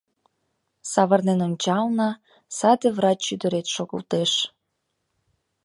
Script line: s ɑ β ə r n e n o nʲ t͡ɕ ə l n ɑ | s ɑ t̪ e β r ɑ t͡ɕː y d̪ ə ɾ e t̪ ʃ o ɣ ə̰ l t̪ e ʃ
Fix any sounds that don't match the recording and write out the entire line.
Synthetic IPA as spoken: s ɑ β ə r n e n o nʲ t͡ɕ ɑ l n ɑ | s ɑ d̪ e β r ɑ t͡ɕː y d̪ ə ɾ e t̪ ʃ o ɣ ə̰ l t̪ e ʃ

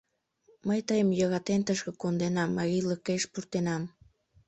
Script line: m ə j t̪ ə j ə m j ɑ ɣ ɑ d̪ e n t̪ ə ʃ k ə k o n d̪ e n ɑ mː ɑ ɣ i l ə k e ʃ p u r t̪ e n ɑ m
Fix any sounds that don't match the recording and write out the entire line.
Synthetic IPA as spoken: m ə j t̪ ə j ə m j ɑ ɣ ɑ t̪ e n t̪ ə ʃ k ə k o n d̪ e n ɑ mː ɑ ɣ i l ə k e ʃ p u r t̪ e n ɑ m

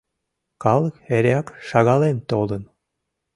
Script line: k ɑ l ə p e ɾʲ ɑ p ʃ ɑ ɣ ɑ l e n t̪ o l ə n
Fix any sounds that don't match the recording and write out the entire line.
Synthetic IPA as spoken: k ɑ l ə k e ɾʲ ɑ k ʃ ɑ ɣ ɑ l e n t̪ o l ə n

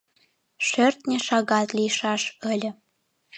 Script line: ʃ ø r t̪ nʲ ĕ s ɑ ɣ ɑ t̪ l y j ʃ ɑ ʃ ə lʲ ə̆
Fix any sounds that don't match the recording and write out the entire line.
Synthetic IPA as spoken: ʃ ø r t̪ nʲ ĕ ʃ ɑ ɣ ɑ t̪ l i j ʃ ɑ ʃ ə lʲ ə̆

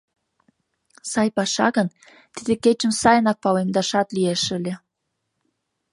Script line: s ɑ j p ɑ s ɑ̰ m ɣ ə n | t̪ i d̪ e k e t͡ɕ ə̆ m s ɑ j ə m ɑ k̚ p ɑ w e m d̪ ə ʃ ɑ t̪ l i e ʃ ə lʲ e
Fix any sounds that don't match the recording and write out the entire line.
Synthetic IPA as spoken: s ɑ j p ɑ ʃ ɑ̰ ɣ ə n | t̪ i d̪ e k e t͡ɕ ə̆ m s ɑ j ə n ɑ k̚ p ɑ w e m d̪ ɑ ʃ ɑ t̪ l i e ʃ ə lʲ e

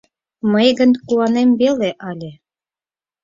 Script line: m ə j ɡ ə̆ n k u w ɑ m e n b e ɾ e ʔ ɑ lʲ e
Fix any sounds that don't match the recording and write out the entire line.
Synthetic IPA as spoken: m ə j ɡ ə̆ n k u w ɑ n e m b e l e ʔ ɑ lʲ e

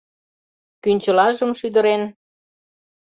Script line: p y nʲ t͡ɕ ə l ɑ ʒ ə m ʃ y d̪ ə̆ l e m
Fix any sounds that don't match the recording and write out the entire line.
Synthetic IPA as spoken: k y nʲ t͡ɕ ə l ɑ ʒ ə m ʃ y d̪ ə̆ ɾ e n

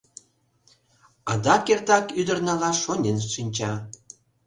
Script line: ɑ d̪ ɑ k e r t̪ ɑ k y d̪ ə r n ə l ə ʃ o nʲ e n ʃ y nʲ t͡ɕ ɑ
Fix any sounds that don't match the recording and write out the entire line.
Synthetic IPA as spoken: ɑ d̪ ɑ k e r t̪ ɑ k y d̪ ə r n ɑ l ɑ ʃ o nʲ e n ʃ i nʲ t͡ɕ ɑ

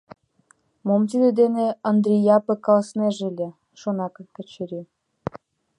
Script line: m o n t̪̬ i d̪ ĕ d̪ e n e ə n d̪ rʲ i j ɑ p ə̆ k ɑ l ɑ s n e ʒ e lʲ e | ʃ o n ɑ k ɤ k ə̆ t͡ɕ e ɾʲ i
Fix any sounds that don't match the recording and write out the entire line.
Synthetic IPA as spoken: m o m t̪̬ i d̪ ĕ d̪ e n e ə n d̪ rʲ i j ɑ p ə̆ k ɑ l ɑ s n e ʒ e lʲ e | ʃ o n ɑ k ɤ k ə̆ t͡ɕ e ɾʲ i

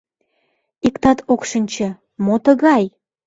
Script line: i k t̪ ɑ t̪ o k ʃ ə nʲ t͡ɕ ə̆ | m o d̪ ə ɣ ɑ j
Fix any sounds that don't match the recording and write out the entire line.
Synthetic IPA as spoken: i k t̪ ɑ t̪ o k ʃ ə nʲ t͡ɕ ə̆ | m o t̪ ə ɣ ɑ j

